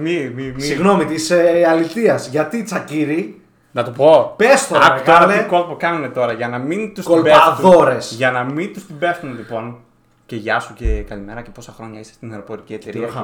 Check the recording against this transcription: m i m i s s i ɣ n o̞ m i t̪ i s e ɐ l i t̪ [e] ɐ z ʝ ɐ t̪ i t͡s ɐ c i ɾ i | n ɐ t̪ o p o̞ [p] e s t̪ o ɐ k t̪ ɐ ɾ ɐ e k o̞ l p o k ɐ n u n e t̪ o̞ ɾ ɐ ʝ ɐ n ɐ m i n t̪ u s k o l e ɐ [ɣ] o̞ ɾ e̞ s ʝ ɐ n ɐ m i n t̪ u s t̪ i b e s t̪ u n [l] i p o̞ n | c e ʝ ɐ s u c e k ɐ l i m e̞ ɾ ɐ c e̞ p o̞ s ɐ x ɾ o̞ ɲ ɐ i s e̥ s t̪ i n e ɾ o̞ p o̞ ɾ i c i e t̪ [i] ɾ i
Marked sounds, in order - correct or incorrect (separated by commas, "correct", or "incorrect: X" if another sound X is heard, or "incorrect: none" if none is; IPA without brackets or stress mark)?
incorrect: i, correct, incorrect: ð, correct, incorrect: e